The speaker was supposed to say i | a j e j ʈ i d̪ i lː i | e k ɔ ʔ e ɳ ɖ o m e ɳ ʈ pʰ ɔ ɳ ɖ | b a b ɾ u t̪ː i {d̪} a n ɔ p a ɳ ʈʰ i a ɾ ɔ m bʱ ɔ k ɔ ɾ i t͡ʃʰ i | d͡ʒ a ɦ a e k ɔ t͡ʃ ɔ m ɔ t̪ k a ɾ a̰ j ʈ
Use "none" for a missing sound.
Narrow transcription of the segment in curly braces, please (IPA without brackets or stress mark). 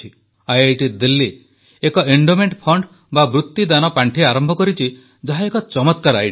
d̪